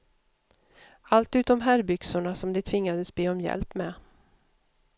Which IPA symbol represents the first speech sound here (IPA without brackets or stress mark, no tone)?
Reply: a